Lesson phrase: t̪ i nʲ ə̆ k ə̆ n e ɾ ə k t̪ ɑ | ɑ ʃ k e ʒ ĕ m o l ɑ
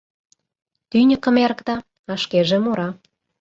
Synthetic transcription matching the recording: t̪ y nʲ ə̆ k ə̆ m e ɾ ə k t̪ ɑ | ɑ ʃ k e ʒ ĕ m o ɾ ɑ

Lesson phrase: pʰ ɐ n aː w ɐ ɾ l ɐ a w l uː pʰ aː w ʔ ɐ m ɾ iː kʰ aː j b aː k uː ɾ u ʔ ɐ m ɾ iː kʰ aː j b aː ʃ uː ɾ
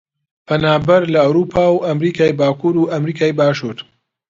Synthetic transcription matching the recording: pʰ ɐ n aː b ɐ ɾ l ɐ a w ɾ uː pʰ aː w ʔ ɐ m ɾ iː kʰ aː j b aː k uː ɾ u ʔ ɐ m ɾ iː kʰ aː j b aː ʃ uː ɾ

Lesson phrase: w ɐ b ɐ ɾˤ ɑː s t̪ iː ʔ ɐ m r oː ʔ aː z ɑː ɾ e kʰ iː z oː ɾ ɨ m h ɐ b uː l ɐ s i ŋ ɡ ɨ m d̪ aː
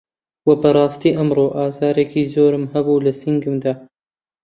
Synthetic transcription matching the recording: w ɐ b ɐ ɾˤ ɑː s t̪ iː ʔ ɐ m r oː ʔ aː z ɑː ɾ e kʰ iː z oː ɾ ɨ m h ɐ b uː l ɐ s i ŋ ɡ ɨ m d̪ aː

